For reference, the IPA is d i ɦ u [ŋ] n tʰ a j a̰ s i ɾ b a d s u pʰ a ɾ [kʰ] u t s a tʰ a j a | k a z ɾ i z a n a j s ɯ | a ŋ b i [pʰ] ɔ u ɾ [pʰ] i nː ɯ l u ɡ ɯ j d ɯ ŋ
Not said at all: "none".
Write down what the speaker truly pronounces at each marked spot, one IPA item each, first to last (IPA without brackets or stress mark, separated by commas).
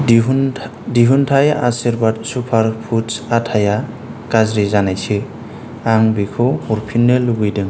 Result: none, pʰ, kʰ, pʰ